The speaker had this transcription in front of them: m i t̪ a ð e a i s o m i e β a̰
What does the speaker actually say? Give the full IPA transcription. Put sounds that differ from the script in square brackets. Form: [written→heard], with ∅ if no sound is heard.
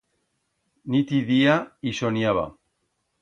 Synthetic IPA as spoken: [m→n] i t̪ [a→i] ð [e→i] a i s o [m→n] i [e→a] β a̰